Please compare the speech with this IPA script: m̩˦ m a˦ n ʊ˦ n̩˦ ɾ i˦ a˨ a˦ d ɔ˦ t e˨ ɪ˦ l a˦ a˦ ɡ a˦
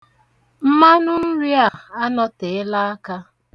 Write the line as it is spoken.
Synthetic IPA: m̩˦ m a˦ n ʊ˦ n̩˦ ɾ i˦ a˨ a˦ n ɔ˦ t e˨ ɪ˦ l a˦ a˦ k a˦